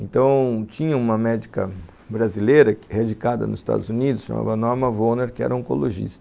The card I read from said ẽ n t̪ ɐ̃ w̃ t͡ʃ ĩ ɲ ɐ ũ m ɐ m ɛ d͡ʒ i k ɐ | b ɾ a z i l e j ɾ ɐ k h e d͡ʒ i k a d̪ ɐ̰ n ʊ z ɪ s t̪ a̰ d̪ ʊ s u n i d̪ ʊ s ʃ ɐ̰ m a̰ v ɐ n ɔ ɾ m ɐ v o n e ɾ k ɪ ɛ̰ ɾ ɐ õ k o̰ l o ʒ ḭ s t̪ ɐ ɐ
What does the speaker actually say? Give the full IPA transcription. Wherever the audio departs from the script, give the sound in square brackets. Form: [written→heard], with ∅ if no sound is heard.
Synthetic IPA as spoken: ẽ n t̪ ɐ̃ w̃ t͡ʃ ĩ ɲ ɐ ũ m ɐ m ɛ d͡ʒ i k ɐ | b ɾ a z i l e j ɾ ɐ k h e d͡ʒ i k a d̪ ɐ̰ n ʊ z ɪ s t̪ a̰ d̪ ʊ [s→z] u n i d̪ ʊ s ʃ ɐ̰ m a̰ v ɐ n ɔ ɾ m ɐ v o n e ɾ k ɪ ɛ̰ ɾ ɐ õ k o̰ l o ʒ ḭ s t̪ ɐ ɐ